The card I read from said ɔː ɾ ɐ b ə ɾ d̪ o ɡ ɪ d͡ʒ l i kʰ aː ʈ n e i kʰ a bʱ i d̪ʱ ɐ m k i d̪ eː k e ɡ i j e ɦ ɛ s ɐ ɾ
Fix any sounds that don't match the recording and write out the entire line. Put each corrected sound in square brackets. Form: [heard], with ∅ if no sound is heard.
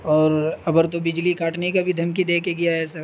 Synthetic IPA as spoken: ɔː ɾ ɐ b ə ɾ [t̪] o [b] ɪ d͡ʒ l i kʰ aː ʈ n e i [k] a bʱ i d̪ʱ ɐ m k i d̪ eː k e ɡ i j [a] ɦ ɛ s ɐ ɾ

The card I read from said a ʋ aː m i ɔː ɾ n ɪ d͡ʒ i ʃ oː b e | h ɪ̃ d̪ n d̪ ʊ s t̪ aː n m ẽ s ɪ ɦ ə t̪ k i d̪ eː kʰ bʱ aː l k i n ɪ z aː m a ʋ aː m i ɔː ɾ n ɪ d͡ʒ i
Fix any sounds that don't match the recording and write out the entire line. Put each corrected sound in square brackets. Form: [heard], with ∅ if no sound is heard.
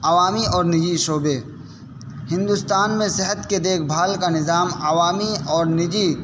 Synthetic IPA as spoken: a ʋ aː m i ɔː ɾ n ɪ d͡ʒ i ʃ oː b e | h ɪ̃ [∅] n d̪ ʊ s t̪ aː n m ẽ s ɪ ɦ ə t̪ k [e] d̪ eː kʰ bʱ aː l k [a] n ɪ z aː m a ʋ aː m i ɔː ɾ n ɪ d͡ʒ i

